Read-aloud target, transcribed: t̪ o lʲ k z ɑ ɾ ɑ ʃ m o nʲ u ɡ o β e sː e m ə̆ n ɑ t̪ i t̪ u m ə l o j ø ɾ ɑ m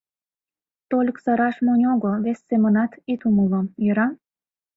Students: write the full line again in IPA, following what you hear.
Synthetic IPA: t̪ o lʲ k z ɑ ɾ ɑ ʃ m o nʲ o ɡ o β e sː e m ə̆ n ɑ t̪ i t̪ u m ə l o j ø ɾ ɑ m